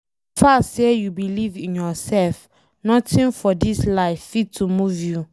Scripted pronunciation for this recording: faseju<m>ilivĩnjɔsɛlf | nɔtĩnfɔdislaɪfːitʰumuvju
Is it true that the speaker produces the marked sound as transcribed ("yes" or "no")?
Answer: no